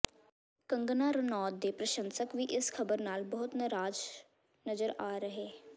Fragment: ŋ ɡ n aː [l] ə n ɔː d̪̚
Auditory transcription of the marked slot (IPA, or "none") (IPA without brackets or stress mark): ɾ